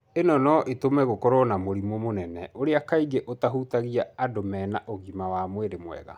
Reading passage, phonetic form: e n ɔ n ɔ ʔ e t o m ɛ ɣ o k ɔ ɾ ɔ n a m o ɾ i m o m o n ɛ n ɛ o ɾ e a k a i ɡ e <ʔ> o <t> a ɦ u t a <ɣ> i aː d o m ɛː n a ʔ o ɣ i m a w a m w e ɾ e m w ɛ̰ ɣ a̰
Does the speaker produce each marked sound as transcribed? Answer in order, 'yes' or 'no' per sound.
yes, yes, yes

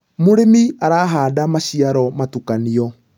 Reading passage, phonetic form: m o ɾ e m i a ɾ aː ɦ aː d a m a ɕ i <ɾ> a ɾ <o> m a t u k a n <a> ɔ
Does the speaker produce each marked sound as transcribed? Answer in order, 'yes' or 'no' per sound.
no, no, no

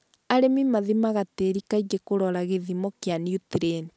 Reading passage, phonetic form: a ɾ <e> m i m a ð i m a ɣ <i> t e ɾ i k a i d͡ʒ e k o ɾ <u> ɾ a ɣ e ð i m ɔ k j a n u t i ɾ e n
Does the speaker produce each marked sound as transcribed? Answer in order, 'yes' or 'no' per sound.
yes, no, no

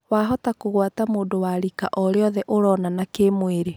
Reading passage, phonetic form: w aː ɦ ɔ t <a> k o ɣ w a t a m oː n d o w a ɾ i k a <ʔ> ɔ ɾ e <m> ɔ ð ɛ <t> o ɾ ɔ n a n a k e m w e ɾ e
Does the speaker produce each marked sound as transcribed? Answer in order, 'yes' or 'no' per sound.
yes, yes, no, no

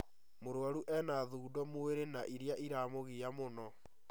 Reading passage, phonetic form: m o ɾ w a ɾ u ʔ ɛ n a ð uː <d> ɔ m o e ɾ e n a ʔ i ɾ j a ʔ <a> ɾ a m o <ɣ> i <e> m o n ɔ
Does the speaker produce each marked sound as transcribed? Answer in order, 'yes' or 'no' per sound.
yes, no, yes, no

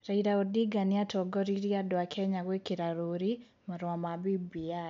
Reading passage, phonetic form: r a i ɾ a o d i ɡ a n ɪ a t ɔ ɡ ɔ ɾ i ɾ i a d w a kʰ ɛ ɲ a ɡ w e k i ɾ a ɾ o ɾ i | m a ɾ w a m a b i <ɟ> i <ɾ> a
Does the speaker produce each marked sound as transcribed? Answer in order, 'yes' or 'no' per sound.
no, no

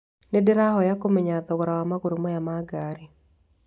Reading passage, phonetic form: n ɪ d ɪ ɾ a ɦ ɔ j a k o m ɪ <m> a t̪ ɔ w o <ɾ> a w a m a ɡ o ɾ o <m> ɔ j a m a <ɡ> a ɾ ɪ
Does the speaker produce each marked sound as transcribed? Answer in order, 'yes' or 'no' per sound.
no, yes, yes, yes

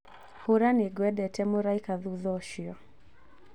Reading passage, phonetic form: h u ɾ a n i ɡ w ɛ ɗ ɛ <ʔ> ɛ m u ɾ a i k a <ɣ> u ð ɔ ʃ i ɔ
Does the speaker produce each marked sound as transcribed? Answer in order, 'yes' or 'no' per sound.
no, no

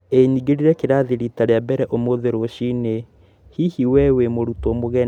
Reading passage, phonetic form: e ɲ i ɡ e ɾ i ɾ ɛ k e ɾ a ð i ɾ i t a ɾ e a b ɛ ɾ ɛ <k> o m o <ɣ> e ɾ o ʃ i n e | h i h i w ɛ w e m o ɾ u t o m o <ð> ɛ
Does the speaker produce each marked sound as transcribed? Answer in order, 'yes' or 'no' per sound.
no, no, no

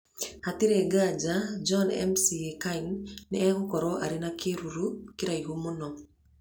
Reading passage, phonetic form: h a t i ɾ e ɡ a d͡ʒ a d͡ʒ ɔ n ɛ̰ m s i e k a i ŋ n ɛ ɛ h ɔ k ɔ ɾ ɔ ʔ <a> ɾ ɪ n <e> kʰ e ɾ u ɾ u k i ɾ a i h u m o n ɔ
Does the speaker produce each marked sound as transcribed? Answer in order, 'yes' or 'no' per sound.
yes, no

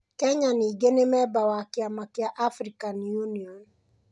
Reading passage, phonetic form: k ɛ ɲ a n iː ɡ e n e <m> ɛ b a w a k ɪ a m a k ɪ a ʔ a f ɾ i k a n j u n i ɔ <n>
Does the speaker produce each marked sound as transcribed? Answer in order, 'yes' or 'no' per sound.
yes, yes

